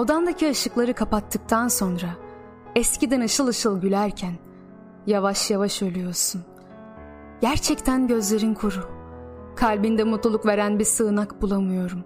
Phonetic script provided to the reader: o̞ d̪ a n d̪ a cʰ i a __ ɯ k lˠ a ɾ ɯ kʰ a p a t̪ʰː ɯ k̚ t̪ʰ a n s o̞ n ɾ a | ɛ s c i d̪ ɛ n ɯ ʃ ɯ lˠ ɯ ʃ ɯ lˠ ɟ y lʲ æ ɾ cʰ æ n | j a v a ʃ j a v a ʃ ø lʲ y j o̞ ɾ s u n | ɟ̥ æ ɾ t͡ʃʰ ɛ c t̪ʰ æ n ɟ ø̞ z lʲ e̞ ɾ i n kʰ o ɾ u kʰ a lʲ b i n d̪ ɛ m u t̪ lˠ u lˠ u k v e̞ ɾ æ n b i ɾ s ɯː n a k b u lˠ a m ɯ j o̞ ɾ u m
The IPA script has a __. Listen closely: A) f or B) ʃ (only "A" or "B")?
B